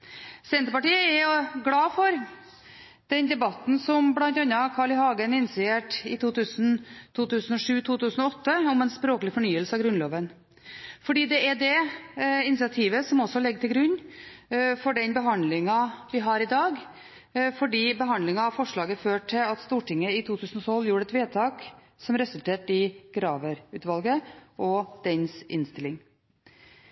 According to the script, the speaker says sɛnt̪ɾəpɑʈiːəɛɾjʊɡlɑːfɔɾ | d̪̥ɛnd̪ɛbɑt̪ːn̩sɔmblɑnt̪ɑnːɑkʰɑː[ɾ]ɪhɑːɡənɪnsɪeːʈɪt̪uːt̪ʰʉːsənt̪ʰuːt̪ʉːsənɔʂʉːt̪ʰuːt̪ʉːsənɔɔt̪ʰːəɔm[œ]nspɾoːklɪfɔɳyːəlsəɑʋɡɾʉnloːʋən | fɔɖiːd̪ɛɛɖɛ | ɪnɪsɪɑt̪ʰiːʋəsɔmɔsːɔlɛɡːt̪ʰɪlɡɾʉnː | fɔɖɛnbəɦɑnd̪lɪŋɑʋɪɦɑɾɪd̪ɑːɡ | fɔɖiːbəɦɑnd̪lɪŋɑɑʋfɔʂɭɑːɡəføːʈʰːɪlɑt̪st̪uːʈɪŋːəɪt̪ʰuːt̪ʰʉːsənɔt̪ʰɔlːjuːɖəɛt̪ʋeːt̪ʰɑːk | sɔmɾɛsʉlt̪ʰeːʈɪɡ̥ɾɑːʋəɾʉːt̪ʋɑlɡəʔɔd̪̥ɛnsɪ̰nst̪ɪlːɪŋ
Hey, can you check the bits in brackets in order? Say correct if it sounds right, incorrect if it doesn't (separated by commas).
incorrect, incorrect